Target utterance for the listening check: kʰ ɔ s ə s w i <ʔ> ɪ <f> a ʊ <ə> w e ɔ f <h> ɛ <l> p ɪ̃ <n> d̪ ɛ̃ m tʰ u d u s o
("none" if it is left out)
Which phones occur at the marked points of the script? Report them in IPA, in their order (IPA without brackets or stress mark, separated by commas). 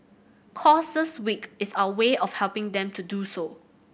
k, s, ə, h, l, ŋ